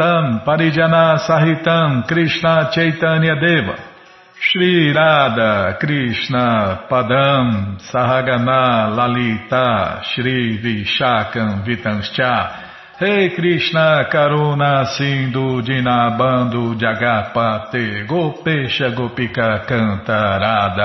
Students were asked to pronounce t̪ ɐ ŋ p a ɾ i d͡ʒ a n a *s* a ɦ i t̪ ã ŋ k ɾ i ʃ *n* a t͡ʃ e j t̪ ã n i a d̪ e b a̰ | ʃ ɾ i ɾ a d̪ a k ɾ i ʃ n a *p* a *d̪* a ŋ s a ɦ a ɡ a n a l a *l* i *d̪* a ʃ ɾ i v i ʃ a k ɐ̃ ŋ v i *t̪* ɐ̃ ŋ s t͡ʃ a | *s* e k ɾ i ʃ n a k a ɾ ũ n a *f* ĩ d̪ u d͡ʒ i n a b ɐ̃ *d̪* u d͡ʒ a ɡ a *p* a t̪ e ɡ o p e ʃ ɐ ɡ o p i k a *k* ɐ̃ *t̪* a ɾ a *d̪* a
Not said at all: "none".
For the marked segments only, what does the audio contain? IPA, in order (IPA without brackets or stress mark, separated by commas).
s, n, p, d̪, l, t̪, t̪, h, s, d̪, p, k, t̪, d̪